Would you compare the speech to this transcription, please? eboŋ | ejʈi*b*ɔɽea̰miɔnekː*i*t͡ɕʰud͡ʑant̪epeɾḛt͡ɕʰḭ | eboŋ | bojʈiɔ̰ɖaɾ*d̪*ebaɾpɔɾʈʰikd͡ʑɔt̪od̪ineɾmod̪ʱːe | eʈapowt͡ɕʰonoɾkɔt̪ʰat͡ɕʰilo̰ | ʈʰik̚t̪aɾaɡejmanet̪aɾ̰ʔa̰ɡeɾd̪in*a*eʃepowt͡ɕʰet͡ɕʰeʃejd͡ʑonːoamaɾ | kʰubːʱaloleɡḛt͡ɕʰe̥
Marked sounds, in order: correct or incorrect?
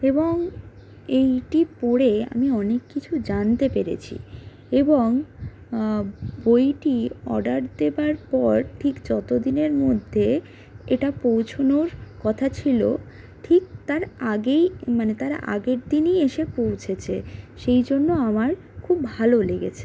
incorrect: p, correct, correct, incorrect: i

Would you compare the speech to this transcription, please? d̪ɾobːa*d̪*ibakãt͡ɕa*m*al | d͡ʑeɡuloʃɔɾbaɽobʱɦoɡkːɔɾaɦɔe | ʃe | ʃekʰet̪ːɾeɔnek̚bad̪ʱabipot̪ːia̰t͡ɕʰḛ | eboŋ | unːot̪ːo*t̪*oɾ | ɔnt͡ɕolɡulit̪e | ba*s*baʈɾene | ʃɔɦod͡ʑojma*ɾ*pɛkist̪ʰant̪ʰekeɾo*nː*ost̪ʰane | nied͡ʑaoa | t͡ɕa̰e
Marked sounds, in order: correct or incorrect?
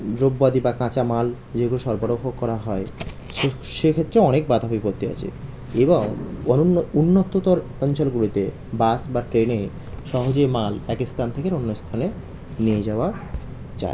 correct, correct, correct, correct, incorrect: l, correct

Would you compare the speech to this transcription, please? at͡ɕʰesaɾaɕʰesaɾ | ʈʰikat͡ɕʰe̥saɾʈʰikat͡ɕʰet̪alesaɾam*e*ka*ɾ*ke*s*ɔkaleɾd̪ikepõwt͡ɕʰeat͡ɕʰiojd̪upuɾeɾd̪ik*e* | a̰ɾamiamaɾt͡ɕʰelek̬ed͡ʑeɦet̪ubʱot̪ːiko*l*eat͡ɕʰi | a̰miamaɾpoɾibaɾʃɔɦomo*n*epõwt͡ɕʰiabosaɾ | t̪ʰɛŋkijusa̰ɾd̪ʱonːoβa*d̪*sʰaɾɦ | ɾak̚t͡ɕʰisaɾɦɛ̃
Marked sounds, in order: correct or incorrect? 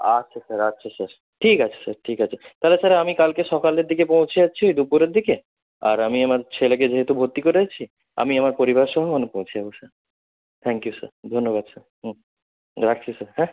incorrect: i, incorrect: l, incorrect: ʃ, correct, incorrect: ɾ, correct, correct

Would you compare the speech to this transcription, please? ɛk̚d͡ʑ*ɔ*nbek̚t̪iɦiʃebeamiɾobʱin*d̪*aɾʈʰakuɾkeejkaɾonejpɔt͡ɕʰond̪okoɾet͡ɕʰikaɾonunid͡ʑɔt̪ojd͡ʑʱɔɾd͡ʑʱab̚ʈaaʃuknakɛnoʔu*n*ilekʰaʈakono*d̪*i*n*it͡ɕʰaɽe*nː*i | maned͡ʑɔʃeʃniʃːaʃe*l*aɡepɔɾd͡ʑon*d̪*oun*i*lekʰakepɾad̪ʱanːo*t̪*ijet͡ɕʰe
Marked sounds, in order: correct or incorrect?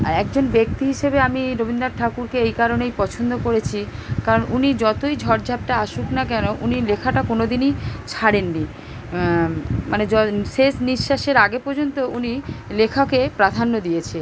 incorrect: o, correct, correct, correct, correct, correct, incorrect: ɾ, incorrect: t̪, correct, incorrect: d̪

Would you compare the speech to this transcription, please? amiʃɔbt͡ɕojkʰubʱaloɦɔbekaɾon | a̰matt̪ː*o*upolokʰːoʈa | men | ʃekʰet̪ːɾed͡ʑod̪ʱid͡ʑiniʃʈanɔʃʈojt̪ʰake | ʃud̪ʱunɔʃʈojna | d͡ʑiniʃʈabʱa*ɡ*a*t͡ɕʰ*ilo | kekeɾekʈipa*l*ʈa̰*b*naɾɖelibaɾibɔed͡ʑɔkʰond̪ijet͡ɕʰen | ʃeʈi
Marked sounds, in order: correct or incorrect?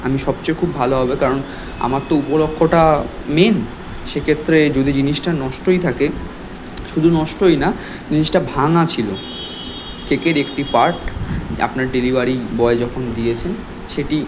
correct, incorrect: ŋ, correct, incorrect: ɾ, incorrect: p

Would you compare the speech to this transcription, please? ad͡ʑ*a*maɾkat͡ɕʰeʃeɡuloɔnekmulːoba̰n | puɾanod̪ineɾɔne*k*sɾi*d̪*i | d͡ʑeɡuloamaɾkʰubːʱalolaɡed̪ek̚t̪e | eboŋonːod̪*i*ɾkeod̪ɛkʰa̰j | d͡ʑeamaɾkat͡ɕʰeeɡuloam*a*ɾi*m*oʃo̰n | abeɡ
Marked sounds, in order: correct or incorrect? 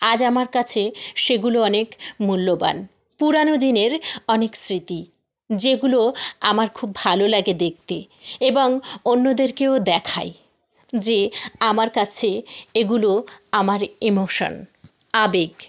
correct, correct, incorrect: t̪, incorrect: e, correct, correct

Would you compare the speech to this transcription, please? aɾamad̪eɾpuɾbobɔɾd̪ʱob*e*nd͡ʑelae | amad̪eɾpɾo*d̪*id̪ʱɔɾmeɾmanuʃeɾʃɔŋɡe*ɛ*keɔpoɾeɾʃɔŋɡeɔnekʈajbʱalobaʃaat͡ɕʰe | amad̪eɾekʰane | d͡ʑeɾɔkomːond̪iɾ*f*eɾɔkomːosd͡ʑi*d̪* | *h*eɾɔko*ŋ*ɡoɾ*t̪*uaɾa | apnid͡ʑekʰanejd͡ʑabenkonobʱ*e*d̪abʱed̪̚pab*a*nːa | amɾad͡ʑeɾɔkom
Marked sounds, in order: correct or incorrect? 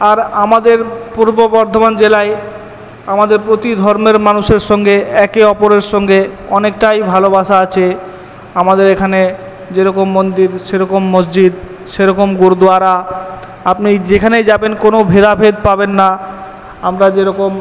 incorrect: a, incorrect: t̪, correct, incorrect: ʃ, correct, incorrect: ʃ, incorrect: m, incorrect: d̪, correct, incorrect: e

